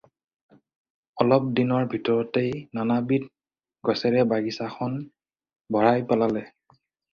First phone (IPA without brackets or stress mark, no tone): ɔ